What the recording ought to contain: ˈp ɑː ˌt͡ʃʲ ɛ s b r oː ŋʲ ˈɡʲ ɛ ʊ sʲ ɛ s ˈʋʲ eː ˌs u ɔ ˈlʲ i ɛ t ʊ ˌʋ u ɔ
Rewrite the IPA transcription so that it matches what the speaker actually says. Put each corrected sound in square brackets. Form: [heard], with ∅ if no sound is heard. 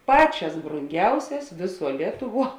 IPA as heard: ˈp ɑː ˌt͡ʃʲ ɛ s b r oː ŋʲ ˈɡʲ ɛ ʊ sʲ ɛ s ˈʋʲ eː ˌs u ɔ ˈlʲ i ɛ t ʊ ˌʋ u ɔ